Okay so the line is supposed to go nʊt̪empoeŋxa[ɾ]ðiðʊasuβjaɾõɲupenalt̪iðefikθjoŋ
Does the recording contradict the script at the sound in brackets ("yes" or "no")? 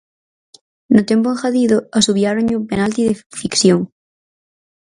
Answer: yes